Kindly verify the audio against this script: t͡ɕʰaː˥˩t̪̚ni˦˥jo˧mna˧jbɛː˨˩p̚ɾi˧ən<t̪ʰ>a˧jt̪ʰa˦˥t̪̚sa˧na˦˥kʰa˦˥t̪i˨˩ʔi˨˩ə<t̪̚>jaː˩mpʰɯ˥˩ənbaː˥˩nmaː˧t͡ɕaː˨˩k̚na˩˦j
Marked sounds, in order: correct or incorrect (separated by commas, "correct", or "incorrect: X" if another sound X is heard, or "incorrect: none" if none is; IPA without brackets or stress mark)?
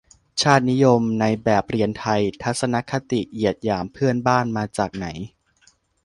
correct, correct